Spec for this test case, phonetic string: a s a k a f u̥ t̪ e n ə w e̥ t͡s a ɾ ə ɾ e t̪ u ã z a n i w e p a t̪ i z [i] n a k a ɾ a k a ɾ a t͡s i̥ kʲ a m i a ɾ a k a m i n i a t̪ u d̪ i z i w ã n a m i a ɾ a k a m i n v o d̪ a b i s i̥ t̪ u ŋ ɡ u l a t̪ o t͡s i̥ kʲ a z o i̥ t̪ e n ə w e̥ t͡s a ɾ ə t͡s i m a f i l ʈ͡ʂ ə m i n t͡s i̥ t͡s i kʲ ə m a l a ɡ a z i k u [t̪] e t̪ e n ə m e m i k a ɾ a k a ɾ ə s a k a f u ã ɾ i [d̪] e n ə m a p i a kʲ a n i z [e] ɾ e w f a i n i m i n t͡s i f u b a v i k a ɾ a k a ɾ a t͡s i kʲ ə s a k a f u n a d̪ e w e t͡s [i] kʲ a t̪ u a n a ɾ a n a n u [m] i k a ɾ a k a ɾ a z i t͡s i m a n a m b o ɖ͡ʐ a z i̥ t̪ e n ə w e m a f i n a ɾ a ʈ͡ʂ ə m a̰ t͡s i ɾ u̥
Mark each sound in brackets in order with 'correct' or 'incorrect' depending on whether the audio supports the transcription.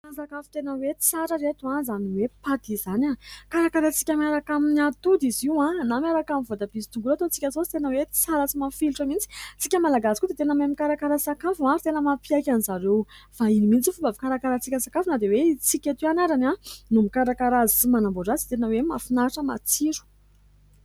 incorrect: a, incorrect: d̪, incorrect: t̪, incorrect: a, correct, correct

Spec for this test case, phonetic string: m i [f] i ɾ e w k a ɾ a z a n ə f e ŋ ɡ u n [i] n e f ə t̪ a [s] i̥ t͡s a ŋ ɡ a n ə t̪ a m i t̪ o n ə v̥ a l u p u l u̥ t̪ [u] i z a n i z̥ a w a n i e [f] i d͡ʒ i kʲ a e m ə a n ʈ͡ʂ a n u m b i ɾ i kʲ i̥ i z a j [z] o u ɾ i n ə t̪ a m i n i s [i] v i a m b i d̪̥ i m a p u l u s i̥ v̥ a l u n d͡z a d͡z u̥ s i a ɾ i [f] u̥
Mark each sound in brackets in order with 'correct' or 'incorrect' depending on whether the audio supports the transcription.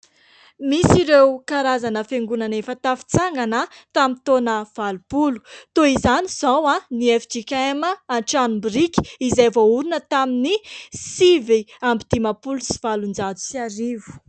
incorrect: s, incorrect: a, incorrect: f, incorrect: o, correct, incorrect: v, correct, incorrect: v

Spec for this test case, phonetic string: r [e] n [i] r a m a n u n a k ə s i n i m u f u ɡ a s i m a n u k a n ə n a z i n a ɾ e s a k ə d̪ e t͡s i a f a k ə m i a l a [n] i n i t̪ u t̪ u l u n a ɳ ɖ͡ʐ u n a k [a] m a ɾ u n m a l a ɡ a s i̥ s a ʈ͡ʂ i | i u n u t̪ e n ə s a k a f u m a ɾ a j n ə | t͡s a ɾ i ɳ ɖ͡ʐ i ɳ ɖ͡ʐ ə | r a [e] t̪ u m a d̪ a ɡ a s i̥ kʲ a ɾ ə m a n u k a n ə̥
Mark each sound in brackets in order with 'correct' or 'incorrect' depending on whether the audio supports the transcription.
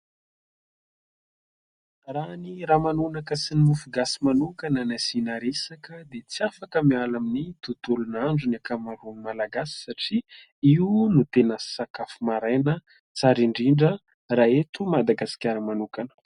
incorrect: a, correct, incorrect: m, correct, correct

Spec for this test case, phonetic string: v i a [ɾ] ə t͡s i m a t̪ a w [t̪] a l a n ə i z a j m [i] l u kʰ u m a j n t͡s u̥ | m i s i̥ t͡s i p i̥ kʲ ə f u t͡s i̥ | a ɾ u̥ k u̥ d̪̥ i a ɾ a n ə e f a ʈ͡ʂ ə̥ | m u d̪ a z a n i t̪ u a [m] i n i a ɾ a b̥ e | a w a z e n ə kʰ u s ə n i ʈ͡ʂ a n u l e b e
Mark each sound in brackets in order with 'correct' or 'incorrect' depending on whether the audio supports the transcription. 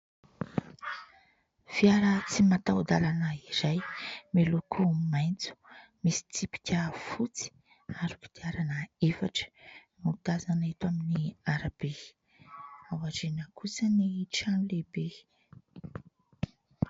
correct, incorrect: d̪, incorrect: e, correct

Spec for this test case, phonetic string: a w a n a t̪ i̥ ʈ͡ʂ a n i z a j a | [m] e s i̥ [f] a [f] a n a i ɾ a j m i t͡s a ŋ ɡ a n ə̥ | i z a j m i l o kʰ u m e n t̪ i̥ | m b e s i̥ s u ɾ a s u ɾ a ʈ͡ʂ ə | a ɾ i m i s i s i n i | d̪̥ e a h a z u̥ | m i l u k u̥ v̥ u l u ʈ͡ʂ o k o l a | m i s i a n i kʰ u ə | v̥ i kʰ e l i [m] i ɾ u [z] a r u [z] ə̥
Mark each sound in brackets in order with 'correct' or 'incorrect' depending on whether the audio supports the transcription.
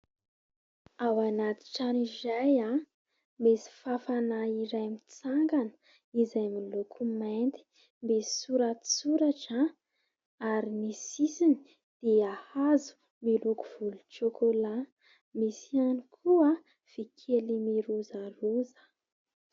correct, correct, correct, correct, correct, correct

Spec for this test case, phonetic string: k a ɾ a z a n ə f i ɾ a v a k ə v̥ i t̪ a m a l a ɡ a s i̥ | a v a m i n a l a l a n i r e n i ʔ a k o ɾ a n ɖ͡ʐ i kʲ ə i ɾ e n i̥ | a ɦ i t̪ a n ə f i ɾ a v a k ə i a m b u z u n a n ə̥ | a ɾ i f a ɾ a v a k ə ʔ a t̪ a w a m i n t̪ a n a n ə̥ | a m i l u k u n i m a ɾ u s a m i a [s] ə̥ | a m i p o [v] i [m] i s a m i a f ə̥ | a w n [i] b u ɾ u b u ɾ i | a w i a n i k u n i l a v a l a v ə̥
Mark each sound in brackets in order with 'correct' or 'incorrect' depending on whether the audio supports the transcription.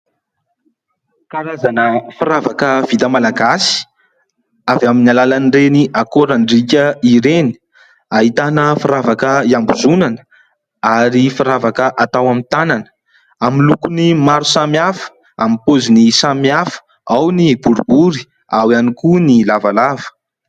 incorrect: f, incorrect: z, incorrect: n, correct

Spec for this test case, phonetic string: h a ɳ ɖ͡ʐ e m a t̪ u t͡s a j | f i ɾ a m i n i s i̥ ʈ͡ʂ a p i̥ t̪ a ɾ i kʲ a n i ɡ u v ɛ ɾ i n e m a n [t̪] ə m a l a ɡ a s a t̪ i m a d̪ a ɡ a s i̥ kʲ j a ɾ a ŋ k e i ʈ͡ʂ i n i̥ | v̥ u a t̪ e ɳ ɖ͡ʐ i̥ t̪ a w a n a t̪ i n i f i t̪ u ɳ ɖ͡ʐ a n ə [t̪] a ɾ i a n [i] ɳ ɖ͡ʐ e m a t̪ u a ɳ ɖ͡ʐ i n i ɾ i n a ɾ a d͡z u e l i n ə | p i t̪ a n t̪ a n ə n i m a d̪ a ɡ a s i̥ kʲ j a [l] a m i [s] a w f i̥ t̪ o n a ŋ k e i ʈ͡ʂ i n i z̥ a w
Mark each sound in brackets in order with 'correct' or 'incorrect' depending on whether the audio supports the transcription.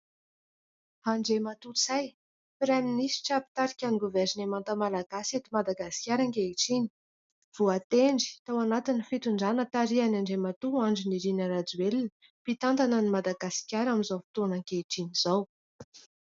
correct, correct, incorrect: a, incorrect: ɾ, incorrect: z

